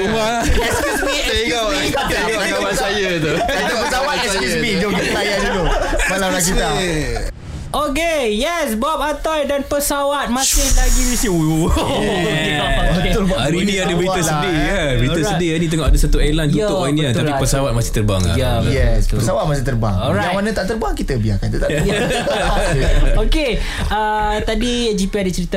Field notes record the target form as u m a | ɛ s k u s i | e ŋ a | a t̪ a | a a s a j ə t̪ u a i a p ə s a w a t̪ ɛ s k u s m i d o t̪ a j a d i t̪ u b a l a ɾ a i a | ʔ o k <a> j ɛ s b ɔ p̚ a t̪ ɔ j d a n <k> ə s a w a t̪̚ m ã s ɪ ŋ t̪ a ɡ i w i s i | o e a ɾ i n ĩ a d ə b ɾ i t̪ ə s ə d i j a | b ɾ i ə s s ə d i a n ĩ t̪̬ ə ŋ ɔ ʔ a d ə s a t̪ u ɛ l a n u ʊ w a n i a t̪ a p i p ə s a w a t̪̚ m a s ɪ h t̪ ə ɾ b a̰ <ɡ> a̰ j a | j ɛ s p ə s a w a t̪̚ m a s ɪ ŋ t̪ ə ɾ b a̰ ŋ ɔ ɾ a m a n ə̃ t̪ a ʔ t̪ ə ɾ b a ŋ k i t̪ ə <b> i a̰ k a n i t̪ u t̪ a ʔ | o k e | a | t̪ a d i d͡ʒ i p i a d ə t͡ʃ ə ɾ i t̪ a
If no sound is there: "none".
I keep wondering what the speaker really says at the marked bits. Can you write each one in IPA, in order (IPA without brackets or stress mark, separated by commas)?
e, p, ŋ, b